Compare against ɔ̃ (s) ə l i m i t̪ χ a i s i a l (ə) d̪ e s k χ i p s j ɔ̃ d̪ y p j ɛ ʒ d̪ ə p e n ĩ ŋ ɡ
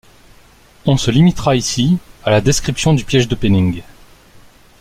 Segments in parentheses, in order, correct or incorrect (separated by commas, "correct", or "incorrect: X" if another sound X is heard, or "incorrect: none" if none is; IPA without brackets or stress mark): correct, incorrect: a